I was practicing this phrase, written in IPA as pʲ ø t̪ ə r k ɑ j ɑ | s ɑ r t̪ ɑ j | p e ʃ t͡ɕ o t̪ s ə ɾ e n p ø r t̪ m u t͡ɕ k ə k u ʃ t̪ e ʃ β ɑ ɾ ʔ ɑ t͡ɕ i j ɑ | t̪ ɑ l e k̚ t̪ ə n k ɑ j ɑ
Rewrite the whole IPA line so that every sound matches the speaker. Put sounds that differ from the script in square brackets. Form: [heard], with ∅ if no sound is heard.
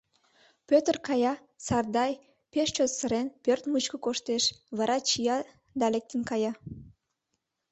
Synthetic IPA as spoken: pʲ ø t̪ ə r k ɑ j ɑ | s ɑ r [d̪] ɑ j | p e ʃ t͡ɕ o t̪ s ə ɾ e n p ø r t̪ m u t͡ɕ k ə k [o] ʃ t̪ e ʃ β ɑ ɾ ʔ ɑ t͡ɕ i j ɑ | [d̪] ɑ l e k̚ t̪ ə n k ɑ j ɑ